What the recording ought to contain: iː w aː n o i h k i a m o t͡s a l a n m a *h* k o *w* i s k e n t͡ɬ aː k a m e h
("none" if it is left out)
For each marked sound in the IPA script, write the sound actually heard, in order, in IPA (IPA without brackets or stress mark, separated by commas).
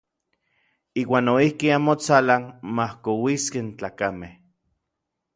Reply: h, w